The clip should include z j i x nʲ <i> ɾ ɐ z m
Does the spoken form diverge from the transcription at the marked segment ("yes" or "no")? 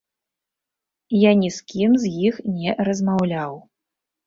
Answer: yes